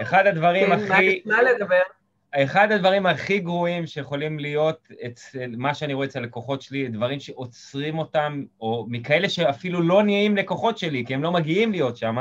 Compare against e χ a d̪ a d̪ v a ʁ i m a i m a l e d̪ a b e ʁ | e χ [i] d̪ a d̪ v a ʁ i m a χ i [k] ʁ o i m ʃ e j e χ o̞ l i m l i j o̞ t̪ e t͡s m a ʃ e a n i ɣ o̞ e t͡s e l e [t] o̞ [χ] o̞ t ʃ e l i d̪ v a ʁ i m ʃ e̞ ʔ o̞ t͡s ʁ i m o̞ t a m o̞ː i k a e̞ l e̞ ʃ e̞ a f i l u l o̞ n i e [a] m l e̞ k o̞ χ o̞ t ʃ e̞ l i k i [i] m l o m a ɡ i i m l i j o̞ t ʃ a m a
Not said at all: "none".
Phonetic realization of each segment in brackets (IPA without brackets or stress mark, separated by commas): a, ɡ, k, χ, i, e